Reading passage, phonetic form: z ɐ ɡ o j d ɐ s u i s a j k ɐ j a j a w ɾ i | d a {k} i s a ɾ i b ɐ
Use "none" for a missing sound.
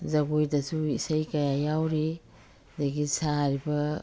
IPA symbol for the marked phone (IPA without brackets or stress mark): ɡ